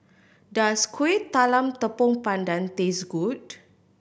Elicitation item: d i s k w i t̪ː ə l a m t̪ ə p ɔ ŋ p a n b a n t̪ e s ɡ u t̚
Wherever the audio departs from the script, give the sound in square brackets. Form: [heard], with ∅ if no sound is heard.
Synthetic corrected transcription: d [a] s k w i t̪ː [a] l a m t̪ ə p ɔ ŋ p a n [d] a n t̪ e s ɡ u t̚